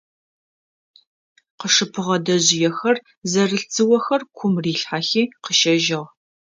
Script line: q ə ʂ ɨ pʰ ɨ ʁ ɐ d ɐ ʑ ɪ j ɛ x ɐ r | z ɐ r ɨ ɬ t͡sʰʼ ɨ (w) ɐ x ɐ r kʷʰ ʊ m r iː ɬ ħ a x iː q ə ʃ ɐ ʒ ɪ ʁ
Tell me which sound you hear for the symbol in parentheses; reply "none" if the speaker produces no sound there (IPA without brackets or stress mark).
w